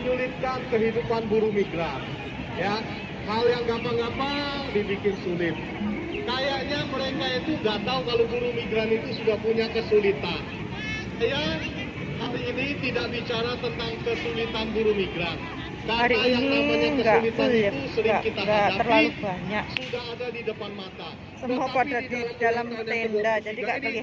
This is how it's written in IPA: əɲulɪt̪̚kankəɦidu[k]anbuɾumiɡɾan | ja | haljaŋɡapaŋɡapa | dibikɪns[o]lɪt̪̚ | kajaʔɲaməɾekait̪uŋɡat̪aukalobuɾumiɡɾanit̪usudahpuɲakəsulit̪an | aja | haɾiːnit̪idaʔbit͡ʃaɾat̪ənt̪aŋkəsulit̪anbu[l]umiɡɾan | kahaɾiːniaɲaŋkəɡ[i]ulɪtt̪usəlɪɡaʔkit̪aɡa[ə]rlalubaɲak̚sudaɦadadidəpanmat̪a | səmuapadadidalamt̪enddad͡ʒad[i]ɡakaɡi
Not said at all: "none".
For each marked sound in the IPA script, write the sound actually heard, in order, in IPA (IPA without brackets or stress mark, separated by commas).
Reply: p, u, ɾ, a, ə, i